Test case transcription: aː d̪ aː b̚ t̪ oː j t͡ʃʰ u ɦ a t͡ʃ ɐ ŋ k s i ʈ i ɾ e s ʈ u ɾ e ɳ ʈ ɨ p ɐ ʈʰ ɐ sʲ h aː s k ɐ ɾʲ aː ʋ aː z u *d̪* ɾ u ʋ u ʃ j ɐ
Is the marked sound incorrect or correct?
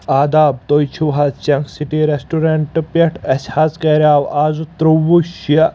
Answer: incorrect